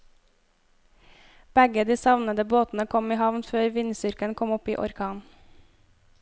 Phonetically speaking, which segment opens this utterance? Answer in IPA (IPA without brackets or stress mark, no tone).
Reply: b̥